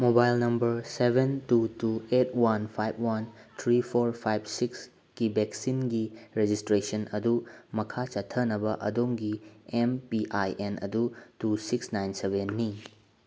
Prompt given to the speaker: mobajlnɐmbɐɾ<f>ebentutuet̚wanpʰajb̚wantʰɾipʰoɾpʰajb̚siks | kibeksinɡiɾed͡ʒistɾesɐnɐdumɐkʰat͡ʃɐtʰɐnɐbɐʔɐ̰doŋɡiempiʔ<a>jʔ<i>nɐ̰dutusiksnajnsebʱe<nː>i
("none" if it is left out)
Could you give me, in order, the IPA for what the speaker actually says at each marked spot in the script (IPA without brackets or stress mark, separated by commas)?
s, a, e, nː